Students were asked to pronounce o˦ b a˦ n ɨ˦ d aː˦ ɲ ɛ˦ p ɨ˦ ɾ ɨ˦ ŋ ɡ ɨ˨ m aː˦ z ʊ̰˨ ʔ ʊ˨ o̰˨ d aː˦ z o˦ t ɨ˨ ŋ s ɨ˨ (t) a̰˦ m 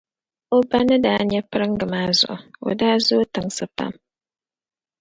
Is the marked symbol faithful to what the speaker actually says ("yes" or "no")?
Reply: no